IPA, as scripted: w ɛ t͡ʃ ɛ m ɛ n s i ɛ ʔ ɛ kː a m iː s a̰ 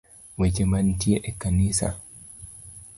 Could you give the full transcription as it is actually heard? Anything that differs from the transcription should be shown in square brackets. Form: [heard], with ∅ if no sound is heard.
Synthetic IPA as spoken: w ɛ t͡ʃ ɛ m [a] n [t] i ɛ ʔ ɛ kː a [n] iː s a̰